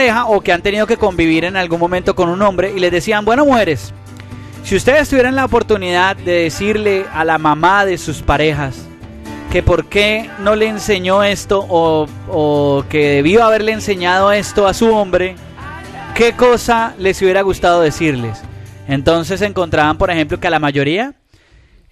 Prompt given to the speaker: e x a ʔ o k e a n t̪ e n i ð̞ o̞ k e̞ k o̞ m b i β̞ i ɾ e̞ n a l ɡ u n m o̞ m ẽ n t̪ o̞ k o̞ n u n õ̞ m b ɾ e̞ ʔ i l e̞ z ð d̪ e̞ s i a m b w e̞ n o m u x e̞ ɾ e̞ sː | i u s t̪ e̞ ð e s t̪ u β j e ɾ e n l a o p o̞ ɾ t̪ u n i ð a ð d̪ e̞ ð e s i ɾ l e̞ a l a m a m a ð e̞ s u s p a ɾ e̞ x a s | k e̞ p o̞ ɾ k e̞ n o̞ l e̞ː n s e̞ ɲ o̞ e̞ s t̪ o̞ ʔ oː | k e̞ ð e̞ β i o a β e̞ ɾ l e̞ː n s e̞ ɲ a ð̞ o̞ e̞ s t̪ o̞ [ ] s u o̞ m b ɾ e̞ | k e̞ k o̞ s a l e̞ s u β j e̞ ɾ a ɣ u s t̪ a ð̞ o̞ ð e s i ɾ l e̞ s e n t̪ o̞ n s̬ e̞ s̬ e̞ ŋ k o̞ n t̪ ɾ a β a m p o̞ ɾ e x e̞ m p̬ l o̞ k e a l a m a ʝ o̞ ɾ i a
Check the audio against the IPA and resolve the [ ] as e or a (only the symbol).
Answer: a